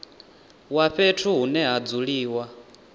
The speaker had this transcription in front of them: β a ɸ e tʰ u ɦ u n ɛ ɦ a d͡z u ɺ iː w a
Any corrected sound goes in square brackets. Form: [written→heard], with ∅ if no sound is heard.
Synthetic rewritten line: [β→w] a ɸ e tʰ u ɦ u n ɛ ɦ a d͡z u ɺ iː w a